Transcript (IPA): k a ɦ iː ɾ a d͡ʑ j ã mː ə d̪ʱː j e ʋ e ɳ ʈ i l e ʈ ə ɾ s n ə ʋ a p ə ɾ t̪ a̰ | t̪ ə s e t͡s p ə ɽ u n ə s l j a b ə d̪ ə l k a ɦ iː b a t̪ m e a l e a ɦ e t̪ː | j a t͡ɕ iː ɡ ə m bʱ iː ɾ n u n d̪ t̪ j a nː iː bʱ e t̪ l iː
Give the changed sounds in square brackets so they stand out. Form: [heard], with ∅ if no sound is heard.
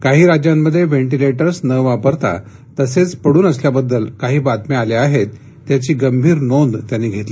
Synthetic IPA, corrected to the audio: k a ɦ iː ɾ a d͡ʑ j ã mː ə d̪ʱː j e ʋ e ɳ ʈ i l e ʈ ə ɾ s n ə ʋ a p ə ɾ t̪ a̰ | t̪ ə s e t͡s p ə ɽ [uː] n ə s l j a b ə [d̪ː] ə l k a ɦ iː b a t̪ m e a l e a ɦ e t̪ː | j a t͡ɕ iː ɡ ə m bʱ iː ɾ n [o] n d̪ t̪ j a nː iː [ɡʱ] e t̪ l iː